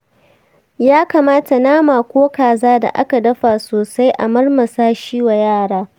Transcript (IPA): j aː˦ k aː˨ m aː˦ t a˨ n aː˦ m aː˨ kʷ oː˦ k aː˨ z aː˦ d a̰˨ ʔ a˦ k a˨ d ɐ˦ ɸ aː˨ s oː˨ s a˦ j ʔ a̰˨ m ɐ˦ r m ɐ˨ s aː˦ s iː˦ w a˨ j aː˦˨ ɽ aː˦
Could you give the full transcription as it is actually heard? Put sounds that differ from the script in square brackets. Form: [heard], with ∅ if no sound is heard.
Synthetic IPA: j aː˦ k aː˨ m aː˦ t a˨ n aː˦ m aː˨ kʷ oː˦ k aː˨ z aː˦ d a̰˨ ʔ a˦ k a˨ d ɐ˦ ɸ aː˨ s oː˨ s a˦ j ʔ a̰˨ m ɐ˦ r m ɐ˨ s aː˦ [ʃ] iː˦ w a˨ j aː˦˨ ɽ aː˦